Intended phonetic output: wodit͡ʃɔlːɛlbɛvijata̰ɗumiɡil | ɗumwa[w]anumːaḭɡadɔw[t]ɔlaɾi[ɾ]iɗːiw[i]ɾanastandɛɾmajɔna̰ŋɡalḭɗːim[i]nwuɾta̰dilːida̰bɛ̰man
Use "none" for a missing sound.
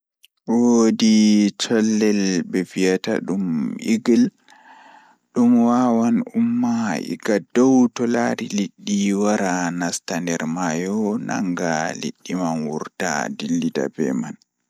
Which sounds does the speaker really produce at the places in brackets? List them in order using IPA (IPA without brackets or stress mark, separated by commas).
w, t, l, a, a